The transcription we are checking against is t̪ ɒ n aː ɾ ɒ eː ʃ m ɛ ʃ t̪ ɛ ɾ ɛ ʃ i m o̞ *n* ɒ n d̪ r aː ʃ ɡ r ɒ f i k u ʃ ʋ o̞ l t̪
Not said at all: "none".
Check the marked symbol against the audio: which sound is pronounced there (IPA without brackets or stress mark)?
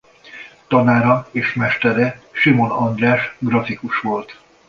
n